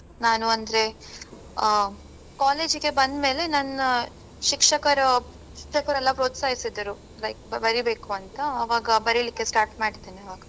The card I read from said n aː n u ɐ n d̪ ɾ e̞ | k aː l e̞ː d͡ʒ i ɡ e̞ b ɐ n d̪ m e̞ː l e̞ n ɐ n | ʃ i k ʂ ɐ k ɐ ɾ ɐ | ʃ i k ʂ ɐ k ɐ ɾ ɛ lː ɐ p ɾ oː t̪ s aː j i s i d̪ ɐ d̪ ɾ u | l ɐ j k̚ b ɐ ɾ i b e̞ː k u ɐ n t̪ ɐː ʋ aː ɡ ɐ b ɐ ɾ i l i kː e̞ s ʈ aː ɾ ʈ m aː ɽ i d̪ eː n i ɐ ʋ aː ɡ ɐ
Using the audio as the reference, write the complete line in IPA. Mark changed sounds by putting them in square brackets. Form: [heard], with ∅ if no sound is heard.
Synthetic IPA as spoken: n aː n u ɐ n d̪ ɾ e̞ | k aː l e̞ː d͡ʒ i ɡ e̞ b ɐ n d̪ m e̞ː l e̞ n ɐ n | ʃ i k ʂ ɐ k ɐ ɾ ɐ | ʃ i k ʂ ɐ k ɐ ɾ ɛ lː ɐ p ɾ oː t̪ s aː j i s i d̪ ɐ [∅] ɾ u | l ɐ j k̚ b ɐ ɾ i b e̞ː k u ɐ n t̪ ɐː ʋ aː ɡ ɐ b ɐ ɾ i l i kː e̞ s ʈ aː ɾ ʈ m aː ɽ i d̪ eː n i ɐ ʋ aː ɡ ɐ